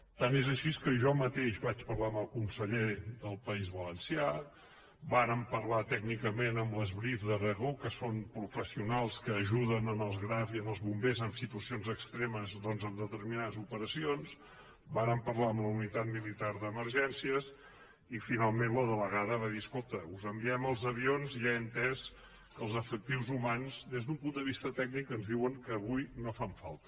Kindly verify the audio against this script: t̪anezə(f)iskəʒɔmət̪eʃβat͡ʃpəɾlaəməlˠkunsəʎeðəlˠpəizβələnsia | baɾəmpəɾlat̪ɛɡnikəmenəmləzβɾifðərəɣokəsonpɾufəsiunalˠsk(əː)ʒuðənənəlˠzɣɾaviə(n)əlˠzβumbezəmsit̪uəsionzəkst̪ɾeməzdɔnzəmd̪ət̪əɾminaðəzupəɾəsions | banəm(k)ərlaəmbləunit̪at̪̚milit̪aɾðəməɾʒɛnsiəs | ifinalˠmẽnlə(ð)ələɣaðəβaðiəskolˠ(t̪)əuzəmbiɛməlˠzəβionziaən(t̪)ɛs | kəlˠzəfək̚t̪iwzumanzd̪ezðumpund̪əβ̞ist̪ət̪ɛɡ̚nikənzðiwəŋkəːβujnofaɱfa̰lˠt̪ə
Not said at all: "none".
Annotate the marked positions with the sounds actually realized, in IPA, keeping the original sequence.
ʃ, əː, n, p, ð, t̪, t̪

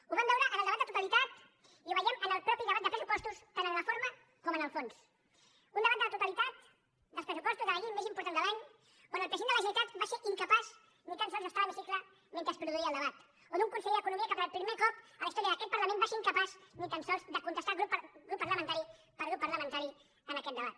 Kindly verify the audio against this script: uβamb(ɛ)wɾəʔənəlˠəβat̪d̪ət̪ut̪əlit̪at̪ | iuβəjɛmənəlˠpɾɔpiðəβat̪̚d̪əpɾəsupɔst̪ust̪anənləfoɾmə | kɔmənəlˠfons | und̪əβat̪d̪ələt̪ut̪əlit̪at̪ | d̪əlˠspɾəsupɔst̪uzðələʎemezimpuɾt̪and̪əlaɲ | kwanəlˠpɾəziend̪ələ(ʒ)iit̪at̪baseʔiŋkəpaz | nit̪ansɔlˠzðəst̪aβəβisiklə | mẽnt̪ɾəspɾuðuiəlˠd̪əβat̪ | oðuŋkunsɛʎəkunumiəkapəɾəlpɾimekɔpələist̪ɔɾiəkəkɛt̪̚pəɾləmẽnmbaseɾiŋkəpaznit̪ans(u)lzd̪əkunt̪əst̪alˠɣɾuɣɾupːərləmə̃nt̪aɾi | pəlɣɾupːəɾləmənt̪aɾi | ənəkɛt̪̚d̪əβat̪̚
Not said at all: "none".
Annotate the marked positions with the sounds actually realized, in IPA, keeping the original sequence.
ɛ, ʒ, ɔ

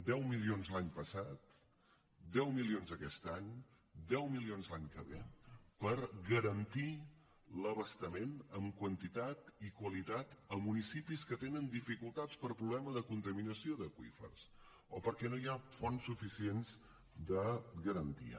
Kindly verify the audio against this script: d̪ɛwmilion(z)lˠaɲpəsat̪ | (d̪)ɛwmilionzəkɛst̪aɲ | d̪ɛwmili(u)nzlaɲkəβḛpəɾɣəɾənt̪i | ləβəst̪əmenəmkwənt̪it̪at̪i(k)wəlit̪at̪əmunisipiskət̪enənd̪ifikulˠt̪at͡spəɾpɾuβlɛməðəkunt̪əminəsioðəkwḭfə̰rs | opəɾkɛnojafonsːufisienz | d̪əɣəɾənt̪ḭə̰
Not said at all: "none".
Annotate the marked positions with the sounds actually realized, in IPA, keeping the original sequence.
z, d̪, o, k

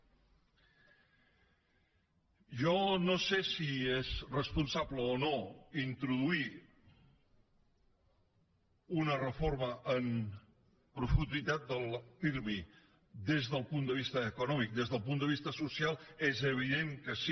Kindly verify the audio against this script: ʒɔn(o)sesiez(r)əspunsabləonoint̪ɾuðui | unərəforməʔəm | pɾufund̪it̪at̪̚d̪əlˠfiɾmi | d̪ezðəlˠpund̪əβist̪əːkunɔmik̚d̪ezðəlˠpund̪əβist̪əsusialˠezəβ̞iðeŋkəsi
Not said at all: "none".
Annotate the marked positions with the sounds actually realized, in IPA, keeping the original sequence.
o, r

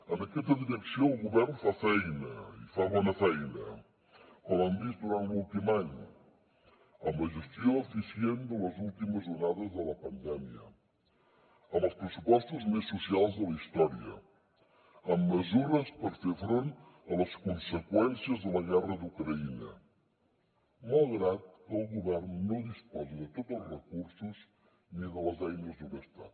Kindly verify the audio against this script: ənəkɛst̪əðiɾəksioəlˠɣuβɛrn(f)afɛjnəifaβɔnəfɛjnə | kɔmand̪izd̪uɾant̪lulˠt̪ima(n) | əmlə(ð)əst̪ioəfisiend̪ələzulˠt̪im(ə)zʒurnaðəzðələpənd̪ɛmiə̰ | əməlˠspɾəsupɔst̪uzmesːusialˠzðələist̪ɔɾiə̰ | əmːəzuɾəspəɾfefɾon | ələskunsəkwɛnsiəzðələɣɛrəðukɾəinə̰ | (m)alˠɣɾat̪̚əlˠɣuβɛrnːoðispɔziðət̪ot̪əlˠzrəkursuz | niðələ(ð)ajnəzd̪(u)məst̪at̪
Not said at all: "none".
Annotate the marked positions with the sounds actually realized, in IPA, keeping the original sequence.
f, ɲ, ʒ, ə, m, z, u

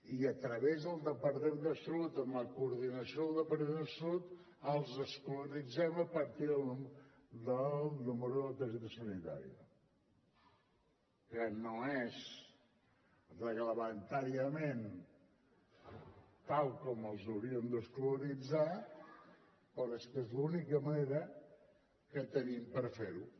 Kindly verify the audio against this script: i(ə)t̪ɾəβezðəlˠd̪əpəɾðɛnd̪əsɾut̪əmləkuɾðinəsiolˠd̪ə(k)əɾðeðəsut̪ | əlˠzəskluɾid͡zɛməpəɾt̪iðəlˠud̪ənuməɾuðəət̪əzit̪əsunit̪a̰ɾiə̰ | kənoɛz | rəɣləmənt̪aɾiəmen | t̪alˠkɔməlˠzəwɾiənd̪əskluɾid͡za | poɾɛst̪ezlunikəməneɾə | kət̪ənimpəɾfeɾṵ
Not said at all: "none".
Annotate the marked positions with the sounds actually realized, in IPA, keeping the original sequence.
ə, p

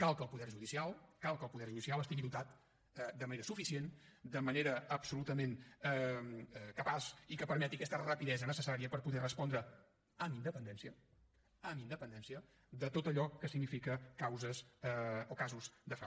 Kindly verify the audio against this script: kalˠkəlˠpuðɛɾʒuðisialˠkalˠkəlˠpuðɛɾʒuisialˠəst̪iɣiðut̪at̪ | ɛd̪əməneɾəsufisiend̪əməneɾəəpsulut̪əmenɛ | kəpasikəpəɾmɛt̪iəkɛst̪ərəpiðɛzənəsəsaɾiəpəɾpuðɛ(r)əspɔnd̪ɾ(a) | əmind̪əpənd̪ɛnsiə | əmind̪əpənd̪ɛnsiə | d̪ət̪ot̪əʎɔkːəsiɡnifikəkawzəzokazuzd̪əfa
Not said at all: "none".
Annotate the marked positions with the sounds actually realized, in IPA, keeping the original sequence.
r, ə

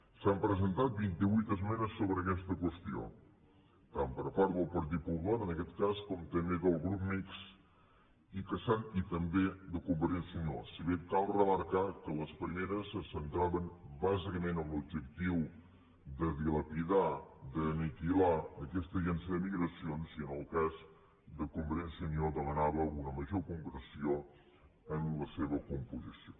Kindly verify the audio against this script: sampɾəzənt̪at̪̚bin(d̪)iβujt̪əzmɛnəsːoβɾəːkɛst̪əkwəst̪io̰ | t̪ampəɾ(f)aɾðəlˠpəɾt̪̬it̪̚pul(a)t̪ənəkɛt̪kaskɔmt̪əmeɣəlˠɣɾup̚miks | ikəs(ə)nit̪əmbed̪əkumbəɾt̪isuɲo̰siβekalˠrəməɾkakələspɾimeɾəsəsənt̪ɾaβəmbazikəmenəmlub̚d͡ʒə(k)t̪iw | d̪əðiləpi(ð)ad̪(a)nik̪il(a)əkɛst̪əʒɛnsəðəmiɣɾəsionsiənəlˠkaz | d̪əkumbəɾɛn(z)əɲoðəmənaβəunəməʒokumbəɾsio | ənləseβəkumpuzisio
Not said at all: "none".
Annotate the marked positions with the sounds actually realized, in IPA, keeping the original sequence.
t̪, f, a, a, k, ð, ə, a, s

